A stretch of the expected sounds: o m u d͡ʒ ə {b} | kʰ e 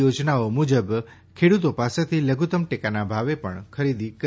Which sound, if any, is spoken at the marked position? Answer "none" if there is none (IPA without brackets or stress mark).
b